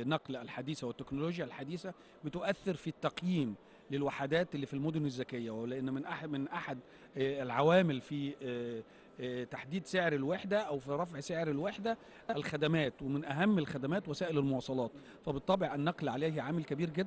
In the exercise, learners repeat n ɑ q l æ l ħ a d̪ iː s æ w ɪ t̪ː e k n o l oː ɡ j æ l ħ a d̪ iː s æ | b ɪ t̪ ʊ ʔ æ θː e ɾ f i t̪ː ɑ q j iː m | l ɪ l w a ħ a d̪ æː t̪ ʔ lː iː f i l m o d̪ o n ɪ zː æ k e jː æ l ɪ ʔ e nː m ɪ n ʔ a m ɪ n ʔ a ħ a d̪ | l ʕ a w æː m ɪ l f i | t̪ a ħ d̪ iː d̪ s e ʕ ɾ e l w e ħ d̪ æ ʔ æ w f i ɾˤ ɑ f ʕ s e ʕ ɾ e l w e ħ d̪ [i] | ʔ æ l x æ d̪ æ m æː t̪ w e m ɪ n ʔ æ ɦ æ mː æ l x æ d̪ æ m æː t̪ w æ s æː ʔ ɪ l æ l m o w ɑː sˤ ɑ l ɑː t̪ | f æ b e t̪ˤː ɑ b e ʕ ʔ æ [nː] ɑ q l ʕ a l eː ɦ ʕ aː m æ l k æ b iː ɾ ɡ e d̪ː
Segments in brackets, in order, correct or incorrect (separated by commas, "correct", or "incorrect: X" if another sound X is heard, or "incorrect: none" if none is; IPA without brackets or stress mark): incorrect: æ, correct